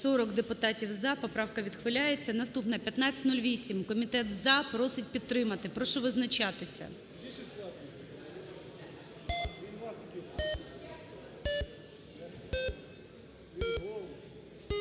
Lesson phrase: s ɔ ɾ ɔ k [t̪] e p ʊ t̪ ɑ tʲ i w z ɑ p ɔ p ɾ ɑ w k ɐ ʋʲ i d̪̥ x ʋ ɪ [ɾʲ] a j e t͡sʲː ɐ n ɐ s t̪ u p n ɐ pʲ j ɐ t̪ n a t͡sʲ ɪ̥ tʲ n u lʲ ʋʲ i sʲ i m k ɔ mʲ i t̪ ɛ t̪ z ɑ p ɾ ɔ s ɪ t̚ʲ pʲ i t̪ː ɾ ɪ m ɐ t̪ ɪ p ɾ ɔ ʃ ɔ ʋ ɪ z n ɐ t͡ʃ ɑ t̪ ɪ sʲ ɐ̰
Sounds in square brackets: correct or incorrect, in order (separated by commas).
incorrect, incorrect